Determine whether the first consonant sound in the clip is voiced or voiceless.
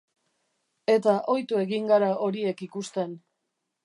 voiceless